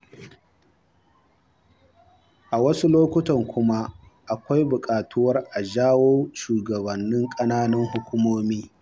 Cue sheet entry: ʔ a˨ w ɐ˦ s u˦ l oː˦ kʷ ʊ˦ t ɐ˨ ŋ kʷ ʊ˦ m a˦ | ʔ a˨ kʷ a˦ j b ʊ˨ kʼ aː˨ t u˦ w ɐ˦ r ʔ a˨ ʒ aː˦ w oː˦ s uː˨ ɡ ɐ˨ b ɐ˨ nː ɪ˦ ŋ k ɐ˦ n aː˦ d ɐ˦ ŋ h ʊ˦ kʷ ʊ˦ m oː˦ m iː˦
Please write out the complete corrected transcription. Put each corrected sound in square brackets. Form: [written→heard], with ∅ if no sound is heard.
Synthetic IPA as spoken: ʔ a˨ w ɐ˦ s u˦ l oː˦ kʷ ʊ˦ t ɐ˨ ŋ kʷ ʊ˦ m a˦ | ʔ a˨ kʷ a˦ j b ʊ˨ kʼ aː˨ t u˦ w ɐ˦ r ʔ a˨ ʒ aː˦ w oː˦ [s→ʃ] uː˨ ɡ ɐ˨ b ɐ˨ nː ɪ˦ ŋ [k→kʼ] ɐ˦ n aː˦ [d→n] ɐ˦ ŋ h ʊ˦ kʷ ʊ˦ m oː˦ m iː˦